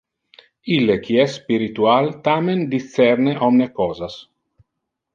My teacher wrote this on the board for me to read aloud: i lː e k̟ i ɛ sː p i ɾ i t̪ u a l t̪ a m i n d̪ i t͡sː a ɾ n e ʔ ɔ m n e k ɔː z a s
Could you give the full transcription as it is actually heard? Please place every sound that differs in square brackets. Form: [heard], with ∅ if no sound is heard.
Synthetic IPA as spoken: i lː e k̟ i ɛ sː p i ɾ i t̪ u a l t̪ a m [e] n d̪ i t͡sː [ɛ] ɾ n e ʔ ɔ m n e k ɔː z a s